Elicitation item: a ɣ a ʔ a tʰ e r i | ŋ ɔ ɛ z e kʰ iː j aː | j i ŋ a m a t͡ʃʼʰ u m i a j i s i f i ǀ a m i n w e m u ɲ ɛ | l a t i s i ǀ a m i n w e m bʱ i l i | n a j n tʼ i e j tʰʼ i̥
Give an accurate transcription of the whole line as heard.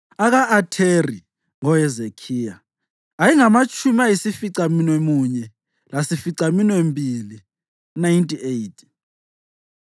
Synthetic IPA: a ɣ a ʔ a tʰ e r i | ŋ ɔ ɛ z e kʰ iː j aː | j i ŋ a m a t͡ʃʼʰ u m i a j i s i f i ǀ a m i n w e m u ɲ ɛ | l a s i f i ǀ a m i n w e m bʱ i l i | n a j n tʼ i e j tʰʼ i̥